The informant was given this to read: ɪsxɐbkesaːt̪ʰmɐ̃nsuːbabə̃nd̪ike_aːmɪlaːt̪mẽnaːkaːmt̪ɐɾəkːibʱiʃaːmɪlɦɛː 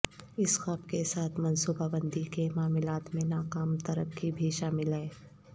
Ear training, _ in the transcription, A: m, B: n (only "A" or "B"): A